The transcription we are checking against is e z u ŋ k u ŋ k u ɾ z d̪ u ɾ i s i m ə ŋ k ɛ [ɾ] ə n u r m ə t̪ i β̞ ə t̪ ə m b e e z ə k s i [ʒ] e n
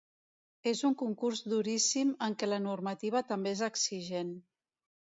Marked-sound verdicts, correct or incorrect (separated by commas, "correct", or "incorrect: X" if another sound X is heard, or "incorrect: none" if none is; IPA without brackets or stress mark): incorrect: l, correct